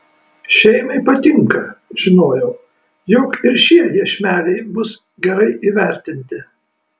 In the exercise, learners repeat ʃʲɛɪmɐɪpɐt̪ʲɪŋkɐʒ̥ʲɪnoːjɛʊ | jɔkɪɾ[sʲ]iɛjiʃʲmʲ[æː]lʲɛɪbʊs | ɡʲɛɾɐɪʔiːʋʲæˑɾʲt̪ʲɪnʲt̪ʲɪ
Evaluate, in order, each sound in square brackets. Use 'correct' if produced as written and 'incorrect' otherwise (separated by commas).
incorrect, correct